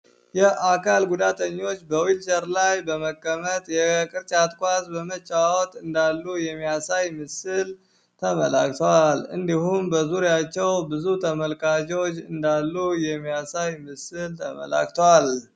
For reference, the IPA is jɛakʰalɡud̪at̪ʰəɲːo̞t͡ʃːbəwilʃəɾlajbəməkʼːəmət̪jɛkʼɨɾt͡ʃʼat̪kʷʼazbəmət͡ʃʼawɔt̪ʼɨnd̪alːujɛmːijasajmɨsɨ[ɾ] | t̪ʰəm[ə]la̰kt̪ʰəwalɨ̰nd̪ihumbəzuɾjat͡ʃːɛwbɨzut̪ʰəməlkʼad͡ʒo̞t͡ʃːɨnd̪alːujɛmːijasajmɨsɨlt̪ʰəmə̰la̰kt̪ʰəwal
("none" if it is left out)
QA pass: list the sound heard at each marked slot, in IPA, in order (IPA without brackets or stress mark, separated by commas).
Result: l, ə